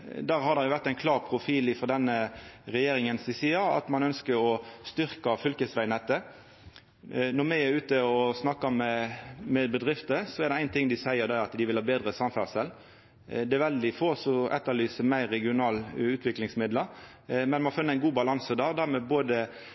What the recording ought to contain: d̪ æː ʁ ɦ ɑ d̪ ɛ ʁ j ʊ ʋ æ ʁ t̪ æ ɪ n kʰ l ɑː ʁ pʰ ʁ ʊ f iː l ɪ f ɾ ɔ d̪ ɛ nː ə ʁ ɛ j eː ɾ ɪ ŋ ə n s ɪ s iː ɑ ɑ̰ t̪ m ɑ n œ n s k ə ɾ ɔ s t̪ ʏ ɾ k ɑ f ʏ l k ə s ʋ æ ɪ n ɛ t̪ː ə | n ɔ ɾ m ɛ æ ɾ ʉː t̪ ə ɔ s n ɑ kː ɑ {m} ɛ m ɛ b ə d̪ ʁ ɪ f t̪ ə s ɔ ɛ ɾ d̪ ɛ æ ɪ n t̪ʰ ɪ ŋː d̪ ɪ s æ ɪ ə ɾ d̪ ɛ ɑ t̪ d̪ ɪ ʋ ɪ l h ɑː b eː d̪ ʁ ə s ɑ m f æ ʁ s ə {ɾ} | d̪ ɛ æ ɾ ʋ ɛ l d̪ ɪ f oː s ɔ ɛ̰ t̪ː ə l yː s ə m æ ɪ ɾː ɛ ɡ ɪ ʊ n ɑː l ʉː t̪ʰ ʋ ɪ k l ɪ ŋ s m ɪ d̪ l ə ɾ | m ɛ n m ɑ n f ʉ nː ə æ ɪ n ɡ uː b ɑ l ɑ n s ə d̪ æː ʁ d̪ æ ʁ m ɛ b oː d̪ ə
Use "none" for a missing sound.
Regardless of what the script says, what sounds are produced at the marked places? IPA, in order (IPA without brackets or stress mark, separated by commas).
m, l